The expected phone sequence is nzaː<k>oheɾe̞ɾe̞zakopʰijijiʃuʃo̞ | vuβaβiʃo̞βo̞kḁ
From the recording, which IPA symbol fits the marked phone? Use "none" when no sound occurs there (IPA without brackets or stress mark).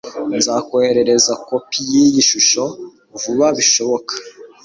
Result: k